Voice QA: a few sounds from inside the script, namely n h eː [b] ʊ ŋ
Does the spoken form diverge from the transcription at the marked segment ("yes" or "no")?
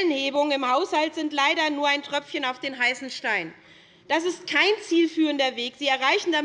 no